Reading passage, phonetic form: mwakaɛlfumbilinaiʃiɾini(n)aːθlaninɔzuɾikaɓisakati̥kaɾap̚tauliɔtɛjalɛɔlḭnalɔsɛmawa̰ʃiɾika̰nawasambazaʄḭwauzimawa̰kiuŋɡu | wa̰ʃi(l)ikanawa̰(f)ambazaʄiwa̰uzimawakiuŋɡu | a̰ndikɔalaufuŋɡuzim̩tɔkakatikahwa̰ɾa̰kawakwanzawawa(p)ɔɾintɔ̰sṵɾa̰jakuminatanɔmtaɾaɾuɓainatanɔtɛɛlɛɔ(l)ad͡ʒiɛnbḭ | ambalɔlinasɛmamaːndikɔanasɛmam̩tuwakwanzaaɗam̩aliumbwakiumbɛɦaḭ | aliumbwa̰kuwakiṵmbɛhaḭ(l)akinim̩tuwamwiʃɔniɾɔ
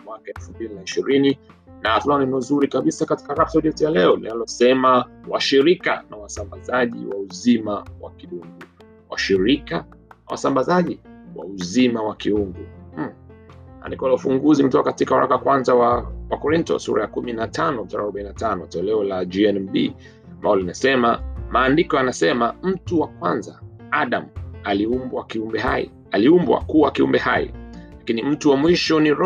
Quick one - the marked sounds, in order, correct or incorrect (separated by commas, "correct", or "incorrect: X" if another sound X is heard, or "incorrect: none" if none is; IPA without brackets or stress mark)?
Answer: correct, incorrect: ɾ, incorrect: s, incorrect: k, correct, correct